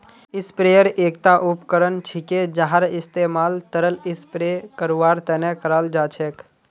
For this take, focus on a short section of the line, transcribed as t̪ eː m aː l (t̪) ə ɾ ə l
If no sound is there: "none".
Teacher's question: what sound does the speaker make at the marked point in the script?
t̪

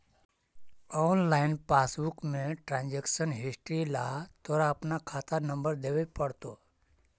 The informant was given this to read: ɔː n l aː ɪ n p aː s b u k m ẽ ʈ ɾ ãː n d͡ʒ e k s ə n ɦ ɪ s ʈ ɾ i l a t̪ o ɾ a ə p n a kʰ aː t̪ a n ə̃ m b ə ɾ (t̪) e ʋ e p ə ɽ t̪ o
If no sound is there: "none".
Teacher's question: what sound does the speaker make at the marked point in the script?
d̪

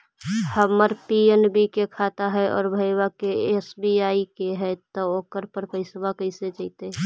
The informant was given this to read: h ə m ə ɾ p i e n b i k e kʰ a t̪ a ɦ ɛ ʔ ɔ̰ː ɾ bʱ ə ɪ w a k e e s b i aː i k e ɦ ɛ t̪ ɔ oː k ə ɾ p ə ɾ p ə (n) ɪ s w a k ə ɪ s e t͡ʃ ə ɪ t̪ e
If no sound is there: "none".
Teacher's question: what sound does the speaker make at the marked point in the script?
none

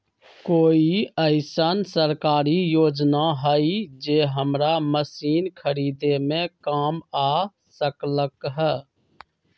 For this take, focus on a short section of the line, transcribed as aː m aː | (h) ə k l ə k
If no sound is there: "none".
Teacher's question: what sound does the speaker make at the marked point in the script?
s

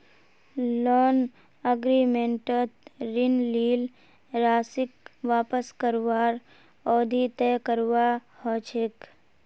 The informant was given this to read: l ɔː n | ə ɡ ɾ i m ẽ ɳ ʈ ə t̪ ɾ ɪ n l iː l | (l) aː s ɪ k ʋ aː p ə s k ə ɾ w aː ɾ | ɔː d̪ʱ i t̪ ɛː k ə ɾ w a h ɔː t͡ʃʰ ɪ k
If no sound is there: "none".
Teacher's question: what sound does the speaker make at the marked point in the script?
ɾ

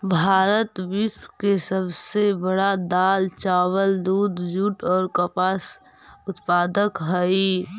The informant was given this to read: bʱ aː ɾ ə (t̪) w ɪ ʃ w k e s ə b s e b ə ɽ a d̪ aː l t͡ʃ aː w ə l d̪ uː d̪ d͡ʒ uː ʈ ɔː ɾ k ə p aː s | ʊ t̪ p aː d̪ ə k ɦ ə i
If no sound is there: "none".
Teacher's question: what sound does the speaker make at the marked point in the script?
t̪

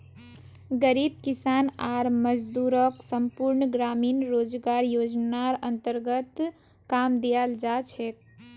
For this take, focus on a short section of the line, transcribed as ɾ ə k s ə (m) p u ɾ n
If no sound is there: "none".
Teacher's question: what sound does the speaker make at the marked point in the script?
m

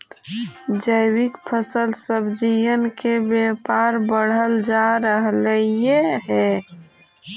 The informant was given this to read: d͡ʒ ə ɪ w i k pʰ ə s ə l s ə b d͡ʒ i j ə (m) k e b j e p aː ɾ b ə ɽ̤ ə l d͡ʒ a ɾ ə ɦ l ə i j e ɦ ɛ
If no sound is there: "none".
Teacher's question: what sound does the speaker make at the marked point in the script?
n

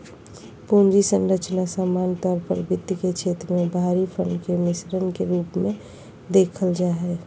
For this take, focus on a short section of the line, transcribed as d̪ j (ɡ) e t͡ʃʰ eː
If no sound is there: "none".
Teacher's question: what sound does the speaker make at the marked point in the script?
k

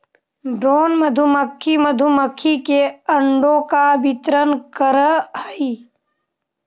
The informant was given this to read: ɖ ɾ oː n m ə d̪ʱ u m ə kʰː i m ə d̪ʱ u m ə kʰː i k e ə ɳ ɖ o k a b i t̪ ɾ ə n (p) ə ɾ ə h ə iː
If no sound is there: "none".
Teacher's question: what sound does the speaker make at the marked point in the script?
k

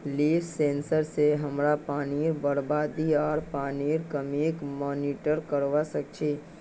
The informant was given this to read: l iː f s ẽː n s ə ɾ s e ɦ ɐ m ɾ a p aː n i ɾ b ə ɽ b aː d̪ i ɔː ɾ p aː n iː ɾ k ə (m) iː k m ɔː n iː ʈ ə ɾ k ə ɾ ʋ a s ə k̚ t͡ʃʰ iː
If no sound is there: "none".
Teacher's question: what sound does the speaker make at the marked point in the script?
m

